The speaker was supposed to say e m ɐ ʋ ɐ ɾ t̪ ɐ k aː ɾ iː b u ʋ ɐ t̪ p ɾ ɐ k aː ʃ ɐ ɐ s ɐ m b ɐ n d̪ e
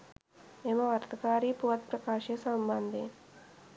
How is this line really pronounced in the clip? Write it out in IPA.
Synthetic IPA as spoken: e m ɐ ʋ ɐ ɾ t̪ ɐ k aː ɾ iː p u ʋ ɐ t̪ p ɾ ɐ k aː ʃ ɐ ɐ s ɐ m b ɐ n d̪ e